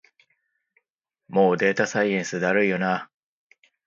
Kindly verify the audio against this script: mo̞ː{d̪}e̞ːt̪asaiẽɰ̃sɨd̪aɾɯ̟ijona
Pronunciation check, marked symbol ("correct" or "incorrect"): correct